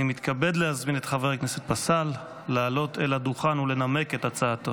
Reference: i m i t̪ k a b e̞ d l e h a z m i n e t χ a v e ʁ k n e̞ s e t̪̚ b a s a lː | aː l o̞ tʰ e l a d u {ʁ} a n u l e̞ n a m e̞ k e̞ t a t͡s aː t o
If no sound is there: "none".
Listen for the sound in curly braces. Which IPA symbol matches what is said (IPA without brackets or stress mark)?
χ